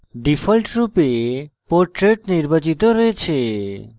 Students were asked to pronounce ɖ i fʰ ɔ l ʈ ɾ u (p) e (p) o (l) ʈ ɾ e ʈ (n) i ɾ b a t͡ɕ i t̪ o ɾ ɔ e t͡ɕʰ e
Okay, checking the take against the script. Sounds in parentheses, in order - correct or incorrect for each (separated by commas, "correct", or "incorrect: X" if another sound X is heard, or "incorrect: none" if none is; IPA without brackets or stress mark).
correct, correct, incorrect: ɾ, correct